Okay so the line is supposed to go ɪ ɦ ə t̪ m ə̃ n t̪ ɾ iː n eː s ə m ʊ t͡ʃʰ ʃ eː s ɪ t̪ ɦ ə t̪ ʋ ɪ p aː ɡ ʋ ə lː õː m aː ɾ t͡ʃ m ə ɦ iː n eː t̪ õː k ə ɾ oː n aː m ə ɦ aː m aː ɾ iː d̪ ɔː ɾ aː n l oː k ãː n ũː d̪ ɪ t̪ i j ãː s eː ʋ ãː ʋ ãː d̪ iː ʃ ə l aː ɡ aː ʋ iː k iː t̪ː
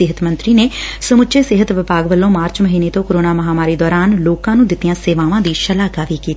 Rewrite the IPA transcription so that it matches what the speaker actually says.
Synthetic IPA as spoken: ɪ ɦ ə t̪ m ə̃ n t̪ ɾ iː n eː s ə m ʊ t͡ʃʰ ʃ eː s ɪ ɦ ə t̪ ʋ ɪ p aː ɡ ʋ ə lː õː m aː ɾ t͡ʃ m ə ɦ iː n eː t̪ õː k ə ɾ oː n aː m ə ɦ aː m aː ɾ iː d̪ ɔː ɾ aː n l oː k ãː n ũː d̪ ɪ t̪ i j ãː s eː ʋ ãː ʋ ãː d̪ iː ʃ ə l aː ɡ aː ʋ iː k iː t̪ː